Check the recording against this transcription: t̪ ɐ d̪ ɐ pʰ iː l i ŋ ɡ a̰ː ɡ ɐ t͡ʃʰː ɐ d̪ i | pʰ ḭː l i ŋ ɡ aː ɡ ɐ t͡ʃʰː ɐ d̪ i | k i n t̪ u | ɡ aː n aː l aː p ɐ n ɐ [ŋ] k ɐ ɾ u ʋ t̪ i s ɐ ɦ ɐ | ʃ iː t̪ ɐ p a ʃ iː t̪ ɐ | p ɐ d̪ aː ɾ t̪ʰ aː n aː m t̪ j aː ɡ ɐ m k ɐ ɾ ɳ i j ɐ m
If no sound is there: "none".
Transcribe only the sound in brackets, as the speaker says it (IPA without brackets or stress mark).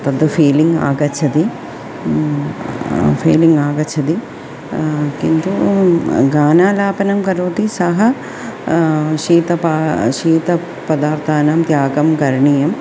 m